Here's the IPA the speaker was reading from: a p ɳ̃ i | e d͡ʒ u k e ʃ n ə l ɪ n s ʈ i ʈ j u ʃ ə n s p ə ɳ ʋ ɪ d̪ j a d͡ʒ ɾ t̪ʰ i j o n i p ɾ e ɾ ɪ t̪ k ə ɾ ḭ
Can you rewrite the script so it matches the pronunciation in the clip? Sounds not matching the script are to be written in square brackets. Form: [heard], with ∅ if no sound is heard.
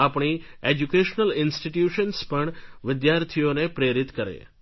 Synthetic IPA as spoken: a p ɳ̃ i | e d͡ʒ u k e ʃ n ə l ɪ n s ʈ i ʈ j u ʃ ə n s p ə ɳ ʋ ɪ d̪ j a [∅] ɾ t̪ʰ i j o n [e] p ɾ e ɾ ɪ t̪ k ə ɾ [ḛ]